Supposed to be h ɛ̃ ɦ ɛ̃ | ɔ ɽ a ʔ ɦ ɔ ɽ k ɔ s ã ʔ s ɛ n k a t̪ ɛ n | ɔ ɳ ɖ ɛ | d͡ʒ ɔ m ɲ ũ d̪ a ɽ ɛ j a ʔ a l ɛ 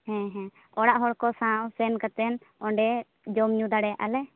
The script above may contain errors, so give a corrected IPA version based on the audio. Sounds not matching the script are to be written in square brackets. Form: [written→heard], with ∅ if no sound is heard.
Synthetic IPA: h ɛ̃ ɦ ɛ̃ | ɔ ɽ a ʔ ɦ ɔ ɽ k ɔ s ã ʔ s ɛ n k a t̪ ɛ n | ɔ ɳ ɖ ɛ | d͡ʒ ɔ m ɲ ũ d̪ a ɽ ɛ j a ʔ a l ɛ